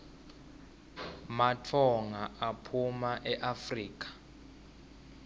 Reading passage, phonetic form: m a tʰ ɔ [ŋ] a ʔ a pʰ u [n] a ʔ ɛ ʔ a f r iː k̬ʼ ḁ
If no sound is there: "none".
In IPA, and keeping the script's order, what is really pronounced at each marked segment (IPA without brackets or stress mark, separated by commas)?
ŋ, m